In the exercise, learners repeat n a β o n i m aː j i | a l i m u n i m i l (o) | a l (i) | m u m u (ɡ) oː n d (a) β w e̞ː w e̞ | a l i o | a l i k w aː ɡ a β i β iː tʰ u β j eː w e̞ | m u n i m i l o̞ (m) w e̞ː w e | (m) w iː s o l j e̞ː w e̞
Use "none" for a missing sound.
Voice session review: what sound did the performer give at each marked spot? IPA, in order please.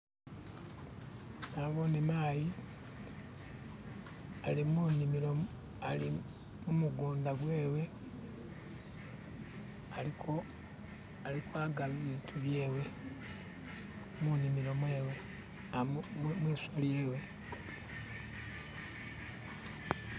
o, i, ɡ, a, m, m

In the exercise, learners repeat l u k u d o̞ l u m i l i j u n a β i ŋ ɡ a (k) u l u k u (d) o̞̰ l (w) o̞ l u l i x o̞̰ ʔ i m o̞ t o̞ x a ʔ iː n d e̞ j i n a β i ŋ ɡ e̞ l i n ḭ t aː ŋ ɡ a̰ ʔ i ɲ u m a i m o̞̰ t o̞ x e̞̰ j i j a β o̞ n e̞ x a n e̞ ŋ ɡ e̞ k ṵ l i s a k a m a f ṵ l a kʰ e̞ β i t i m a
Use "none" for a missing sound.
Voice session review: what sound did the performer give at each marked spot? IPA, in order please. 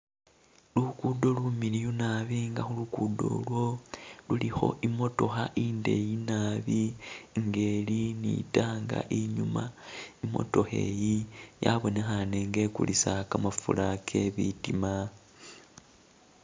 x, d, w

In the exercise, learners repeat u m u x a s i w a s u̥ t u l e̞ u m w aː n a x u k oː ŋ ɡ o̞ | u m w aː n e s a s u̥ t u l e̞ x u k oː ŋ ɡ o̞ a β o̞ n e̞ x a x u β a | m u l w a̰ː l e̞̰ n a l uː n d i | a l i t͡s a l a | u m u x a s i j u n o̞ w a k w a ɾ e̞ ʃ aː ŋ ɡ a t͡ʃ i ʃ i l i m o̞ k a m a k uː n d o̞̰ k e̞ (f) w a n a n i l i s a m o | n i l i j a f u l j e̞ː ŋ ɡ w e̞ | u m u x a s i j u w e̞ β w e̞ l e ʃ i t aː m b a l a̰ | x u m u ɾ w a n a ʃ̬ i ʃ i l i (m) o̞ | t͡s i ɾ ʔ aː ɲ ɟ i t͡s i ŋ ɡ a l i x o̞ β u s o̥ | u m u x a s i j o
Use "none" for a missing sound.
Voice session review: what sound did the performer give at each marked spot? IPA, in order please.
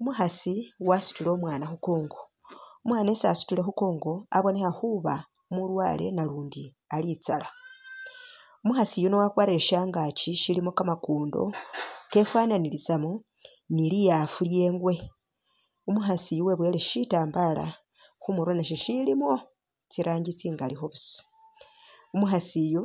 f, m

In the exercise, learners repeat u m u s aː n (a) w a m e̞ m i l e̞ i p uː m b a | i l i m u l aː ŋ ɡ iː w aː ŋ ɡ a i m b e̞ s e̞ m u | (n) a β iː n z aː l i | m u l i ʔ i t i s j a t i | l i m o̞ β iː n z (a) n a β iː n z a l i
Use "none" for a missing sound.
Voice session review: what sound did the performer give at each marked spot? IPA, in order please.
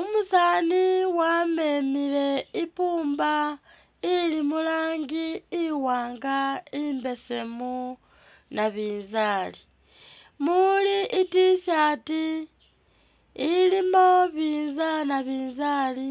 i, n, a

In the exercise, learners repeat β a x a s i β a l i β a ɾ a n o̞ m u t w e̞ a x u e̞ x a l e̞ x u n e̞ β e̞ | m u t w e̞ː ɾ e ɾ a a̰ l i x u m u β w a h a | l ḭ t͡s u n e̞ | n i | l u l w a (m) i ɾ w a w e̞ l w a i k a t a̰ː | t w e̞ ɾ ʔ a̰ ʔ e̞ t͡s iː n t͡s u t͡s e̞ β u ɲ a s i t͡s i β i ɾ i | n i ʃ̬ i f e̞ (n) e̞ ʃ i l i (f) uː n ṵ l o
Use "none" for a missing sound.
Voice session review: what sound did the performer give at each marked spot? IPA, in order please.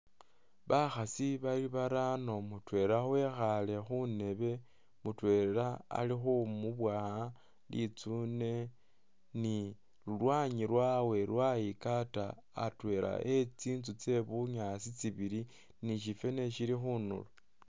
ɲ, n, x

